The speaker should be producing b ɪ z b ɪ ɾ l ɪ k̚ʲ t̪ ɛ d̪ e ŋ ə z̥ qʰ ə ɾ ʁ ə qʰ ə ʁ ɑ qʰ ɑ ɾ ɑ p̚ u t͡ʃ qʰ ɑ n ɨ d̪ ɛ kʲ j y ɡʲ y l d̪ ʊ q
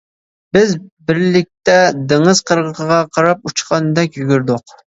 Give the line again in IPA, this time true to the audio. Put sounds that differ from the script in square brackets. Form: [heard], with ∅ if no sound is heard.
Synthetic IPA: b ɪ z b ɪ ɾ l ɪ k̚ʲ t̪ ɛ d̪ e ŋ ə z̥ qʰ ə ɾ ʁ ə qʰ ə ʁ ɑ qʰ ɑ ɾ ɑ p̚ u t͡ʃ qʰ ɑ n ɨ d̪ ɛ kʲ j y ɡʲ y [ɾ] d̪ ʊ q